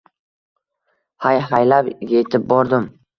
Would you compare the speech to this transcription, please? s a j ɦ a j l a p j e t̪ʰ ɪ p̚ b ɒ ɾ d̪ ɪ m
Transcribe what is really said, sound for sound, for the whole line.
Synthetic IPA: h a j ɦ a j l a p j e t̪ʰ ɪ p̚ b ɒ ɾ d̪ ɪ m